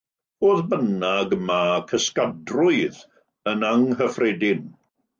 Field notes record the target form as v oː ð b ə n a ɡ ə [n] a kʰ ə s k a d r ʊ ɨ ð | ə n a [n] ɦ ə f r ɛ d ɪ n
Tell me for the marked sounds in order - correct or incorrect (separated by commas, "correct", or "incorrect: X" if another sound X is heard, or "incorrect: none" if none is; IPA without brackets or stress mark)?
incorrect: m, incorrect: ŋ